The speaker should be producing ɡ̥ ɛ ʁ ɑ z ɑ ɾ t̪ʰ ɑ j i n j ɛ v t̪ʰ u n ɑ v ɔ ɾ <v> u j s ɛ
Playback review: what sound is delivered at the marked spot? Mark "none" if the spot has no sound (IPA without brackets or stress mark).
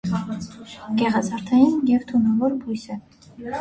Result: b